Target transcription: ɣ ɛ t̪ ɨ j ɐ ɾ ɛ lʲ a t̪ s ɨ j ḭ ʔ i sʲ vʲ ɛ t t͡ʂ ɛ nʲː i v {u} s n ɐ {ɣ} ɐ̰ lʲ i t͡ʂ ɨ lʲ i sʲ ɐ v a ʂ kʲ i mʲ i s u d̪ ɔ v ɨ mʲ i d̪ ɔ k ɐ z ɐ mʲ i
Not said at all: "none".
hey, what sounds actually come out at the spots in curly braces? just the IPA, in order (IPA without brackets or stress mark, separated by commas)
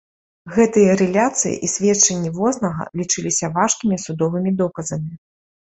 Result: ɔ, ɣ